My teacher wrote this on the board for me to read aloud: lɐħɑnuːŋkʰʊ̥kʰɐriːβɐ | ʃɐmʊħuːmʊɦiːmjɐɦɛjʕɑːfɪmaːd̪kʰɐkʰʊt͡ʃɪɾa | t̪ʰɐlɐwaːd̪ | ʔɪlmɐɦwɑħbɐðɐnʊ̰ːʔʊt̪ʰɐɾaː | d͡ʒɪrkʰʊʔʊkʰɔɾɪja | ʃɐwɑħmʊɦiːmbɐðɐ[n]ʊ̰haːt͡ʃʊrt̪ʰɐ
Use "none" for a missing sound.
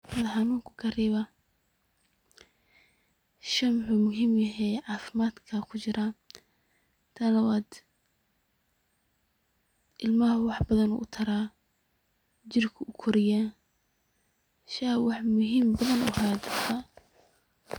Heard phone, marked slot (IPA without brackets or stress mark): n